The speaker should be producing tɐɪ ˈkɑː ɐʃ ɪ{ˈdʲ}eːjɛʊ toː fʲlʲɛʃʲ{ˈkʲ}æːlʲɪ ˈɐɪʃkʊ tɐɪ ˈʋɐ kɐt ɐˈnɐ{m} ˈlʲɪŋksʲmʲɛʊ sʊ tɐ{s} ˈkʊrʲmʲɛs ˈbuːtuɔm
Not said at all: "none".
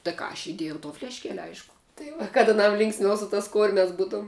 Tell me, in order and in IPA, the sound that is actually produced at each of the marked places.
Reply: dʲ, kʲ, m, s

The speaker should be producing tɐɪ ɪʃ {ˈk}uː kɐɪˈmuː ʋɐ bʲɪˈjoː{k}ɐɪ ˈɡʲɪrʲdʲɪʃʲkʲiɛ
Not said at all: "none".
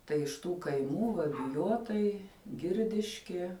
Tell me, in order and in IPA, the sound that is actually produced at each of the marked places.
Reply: t, t

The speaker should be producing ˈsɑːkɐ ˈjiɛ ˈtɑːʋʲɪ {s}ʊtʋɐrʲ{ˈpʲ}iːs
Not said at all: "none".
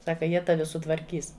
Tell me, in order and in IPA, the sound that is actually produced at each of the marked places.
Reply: s, kʲ

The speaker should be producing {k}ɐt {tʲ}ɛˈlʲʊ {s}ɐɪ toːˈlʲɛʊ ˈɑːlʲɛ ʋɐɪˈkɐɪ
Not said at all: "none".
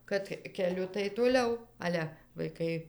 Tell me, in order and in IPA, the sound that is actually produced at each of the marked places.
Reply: k, kʲ, t

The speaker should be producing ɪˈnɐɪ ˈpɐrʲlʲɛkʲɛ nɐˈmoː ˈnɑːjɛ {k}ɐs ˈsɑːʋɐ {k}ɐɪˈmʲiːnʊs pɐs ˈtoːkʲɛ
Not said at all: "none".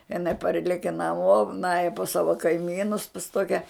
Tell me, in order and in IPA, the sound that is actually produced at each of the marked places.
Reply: p, k

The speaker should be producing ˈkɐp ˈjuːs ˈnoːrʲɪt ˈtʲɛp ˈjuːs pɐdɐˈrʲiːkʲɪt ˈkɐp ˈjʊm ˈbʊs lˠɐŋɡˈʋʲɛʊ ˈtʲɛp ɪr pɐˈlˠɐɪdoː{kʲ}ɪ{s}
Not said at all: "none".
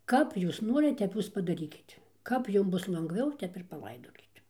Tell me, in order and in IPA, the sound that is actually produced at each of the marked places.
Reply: kʲ, t

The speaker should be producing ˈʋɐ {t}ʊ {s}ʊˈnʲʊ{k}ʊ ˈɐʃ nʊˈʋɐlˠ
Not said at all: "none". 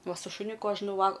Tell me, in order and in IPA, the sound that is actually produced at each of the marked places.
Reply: s, ʃ, k

